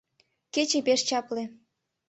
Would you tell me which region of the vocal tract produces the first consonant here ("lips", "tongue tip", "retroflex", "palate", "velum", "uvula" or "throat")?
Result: velum